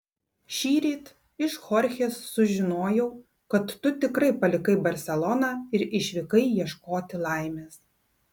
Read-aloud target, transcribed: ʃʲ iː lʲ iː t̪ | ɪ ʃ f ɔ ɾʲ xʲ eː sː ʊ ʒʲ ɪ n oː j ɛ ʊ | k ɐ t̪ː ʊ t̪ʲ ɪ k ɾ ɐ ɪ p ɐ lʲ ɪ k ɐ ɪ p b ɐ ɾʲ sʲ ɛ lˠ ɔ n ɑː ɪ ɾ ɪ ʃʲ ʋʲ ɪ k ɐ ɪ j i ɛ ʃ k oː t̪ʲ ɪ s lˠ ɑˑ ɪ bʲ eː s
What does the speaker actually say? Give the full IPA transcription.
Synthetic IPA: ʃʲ iː ɾʲ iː t̪ | ɪ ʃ x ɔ ɾʲ xʲ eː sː ʊ ʒʲ ɪ n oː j ɛ ʊ | k ɐ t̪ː ʊ t̪ʲ ɪ k ɾ ɐ ɪ p ɐ lʲ ɪ k ɐ ɪ b ɐ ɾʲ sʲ ɛ lˠ ɔ n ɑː ɪ ɾ ɪ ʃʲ ʋʲ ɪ k ɐ ɪ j i ɛ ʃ k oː t̪ʲ ɪ lˠ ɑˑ ɪ mʲ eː s